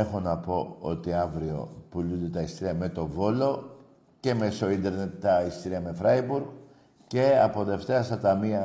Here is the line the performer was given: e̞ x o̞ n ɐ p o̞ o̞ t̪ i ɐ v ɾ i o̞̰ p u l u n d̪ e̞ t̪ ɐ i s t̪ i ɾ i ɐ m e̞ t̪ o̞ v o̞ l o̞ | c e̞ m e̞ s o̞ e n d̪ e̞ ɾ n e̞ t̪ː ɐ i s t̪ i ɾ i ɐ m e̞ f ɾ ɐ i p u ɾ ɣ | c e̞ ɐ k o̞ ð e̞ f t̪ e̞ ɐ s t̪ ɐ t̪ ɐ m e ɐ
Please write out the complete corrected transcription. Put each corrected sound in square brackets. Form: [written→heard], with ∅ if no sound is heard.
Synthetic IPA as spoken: e̞ x o̞ n ɐ p o̞ o̞ t̪ i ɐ v ɾ i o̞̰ p u l u n d̪ e̞ t̪ ɐ i s t̪ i ɾ i ɐ m e̞ t̪ o̞ v o̞ l o̞ | c e̞ m e̞ s o̞ [e→i] n d̪ e̞ ɾ n e̞ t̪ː ɐ i s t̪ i ɾ i ɐ m e̞ f ɾ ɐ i [p→b] u ɾ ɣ | c e̞ ɐ [k→p] o̞ ð e̞ f t̪ e̞ ɐ s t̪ ɐ t̪ ɐ m [e→i] ɐ